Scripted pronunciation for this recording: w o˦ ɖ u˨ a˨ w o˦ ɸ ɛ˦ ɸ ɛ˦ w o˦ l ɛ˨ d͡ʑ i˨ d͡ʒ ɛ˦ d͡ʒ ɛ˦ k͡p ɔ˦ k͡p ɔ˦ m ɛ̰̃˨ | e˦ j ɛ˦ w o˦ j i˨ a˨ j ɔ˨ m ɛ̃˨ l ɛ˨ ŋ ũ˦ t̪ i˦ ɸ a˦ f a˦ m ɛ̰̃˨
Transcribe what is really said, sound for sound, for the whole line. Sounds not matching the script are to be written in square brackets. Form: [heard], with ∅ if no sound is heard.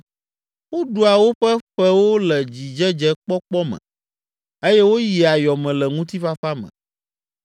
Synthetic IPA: w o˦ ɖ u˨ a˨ w o˦ ɸ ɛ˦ ɸ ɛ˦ w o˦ l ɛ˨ d͡ʑ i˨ d͡ʒ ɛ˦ d͡ʒ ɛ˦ k͡p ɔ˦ k͡p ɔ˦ m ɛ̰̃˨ | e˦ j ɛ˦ w o˦ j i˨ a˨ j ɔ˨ m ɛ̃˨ l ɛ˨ ŋ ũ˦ t̪ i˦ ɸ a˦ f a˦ m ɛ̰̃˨